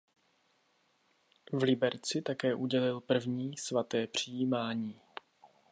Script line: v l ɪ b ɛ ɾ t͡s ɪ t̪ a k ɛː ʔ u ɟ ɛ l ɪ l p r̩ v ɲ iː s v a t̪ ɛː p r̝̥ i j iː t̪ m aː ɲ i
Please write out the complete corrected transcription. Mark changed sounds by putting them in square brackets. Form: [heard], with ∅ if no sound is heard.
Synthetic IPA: v l ɪ b ɛ ɾ t͡s ɪ t̪ a k ɛː ʔ u ɟ ɛ l ɪ l p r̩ v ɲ iː s v a t̪ ɛː p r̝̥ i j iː [∅] m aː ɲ [iː]

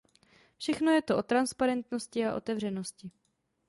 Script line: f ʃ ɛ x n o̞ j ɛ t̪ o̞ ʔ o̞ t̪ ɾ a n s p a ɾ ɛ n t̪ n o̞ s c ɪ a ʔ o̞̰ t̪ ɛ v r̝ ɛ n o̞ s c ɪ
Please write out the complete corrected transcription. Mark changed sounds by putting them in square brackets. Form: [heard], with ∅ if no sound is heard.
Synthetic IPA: f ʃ ɛ x n o̞ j ɛ t̪ o̞ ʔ o̞ t̪ ɾ a n s p a ɾ ɛ n t̪ n o̞ s c ɪ a ʔ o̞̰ t̪ ɛ v r̝ ɛ n o̞ s c ɪ

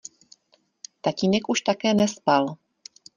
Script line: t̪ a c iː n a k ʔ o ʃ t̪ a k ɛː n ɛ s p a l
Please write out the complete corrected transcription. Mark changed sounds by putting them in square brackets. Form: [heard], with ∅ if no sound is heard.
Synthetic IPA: t̪ a c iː n [ɛ] k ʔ [u] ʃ t̪ a k ɛː n ɛ s p a l

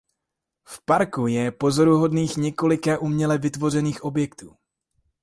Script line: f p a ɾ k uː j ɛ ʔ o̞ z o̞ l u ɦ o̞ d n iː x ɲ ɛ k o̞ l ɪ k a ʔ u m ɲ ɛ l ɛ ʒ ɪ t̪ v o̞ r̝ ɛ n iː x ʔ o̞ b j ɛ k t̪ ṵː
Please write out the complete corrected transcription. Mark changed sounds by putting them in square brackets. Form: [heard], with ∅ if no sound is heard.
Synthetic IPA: f p a ɾ k [u] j ɛ [p] o̞ z o̞ [ɾ] u ɦ o̞ d n iː x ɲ ɛ k o̞ l ɪ k a ʔ u m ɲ ɛ l ɛ [v] ɪ t̪ v o̞ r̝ ɛ n iː x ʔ o̞ b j ɛ k t̪ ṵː

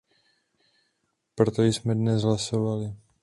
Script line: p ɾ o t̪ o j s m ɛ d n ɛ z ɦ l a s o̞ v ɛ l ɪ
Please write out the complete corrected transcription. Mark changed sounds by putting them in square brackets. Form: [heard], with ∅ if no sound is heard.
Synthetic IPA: p ɾ o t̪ o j s m ɛ d n ɛ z ɦ l a s o̞ v [a] l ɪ

